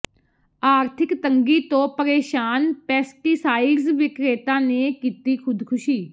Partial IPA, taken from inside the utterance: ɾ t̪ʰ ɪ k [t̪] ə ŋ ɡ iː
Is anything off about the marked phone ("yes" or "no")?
no